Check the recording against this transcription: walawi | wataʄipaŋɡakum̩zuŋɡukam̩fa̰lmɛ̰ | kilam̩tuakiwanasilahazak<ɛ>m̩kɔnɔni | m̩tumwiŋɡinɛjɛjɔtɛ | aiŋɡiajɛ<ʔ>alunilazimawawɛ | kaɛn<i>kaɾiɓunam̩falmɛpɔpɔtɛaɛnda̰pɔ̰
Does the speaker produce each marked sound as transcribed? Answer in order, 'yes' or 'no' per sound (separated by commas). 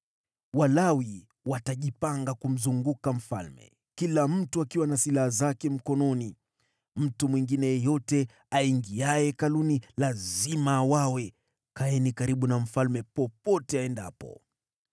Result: yes, no, yes